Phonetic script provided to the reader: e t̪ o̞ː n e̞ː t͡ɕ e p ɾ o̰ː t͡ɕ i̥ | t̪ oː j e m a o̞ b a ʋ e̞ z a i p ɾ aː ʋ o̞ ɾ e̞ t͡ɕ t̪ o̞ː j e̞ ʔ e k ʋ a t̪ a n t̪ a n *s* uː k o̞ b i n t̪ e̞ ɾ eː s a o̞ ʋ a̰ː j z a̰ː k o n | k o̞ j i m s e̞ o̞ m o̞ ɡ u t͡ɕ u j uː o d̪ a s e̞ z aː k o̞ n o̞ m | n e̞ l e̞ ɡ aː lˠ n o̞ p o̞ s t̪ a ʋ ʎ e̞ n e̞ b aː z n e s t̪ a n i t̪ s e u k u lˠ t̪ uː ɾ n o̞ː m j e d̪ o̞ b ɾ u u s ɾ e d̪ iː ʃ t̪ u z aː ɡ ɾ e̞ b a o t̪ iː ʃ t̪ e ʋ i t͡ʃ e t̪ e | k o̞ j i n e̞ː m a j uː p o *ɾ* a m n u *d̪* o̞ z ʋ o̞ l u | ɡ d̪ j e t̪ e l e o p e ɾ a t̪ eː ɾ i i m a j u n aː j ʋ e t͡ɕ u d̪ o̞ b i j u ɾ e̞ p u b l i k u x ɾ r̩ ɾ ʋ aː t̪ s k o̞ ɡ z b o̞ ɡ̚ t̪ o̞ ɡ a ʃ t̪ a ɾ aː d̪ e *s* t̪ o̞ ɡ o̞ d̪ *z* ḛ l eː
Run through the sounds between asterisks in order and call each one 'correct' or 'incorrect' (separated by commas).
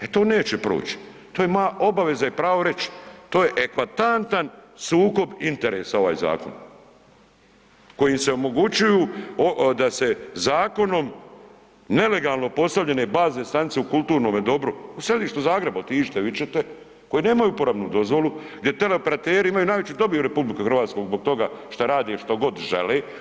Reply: correct, correct, correct, incorrect, incorrect